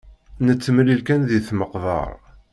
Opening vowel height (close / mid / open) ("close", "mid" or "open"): mid